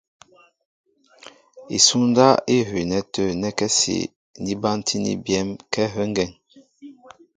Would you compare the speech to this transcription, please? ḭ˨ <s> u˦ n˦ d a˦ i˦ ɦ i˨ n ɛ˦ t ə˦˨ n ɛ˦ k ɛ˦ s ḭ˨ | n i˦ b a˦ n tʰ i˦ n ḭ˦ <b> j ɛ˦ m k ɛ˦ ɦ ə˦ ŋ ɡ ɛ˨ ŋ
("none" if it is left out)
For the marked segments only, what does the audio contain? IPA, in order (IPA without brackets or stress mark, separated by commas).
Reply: s, b